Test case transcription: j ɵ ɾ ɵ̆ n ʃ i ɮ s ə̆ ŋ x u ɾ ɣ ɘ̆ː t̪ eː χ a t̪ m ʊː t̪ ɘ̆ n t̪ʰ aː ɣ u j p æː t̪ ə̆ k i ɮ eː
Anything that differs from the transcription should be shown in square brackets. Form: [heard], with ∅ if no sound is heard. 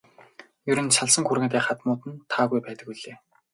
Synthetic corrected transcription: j ɵ ɾ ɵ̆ n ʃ [a] ɮ s ə̆ ŋ x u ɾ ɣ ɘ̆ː t̪ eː χ a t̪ m ʊː t̪ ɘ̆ n t̪ʰ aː ɣ u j p æː t̪ ə̆ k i ɮ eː